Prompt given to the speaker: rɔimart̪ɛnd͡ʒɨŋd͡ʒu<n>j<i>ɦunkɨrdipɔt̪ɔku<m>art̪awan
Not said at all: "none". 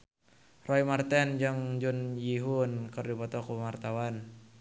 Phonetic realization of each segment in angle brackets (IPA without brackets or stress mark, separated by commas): n, i, m